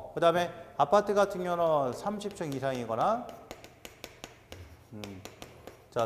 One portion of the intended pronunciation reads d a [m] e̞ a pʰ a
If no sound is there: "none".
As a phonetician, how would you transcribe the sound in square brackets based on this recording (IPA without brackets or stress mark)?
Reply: m